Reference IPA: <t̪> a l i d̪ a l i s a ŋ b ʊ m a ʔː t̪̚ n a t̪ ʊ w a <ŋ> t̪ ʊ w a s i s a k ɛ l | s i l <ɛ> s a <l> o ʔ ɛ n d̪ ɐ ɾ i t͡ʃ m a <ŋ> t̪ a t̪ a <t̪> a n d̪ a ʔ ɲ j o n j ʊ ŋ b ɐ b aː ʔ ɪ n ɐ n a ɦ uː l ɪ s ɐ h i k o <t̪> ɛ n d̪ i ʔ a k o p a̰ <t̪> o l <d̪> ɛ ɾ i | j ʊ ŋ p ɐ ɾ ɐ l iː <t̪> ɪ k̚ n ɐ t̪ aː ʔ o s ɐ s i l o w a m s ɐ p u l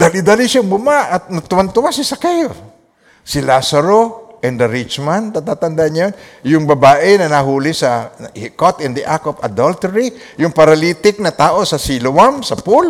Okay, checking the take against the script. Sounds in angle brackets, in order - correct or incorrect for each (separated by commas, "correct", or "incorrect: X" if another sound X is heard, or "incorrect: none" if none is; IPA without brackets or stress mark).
incorrect: d̪, incorrect: n, incorrect: a, incorrect: ɾ, incorrect: n, correct, correct, incorrect: d̪, incorrect: t̪, correct